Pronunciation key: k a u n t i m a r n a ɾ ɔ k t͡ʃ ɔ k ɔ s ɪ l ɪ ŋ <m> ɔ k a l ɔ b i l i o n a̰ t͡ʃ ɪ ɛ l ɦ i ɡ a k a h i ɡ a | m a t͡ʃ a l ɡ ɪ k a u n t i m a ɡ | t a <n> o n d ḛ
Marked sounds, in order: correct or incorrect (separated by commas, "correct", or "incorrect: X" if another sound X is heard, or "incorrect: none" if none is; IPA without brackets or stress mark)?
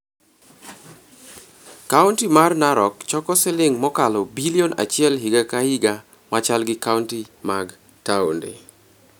correct, incorrect: none